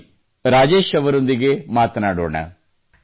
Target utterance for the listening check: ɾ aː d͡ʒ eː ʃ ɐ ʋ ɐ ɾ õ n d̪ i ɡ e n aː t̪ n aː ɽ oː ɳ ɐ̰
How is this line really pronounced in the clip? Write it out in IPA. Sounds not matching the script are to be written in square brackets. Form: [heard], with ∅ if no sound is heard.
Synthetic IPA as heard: ɾ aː d͡ʒ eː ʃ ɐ ʋ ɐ ɾ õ n d̪ i ɡ e [m] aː t̪ n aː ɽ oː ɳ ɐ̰